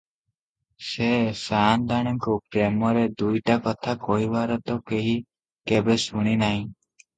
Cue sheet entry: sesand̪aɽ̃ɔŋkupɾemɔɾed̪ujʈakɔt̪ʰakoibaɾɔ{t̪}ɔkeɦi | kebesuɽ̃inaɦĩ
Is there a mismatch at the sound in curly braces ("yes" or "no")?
no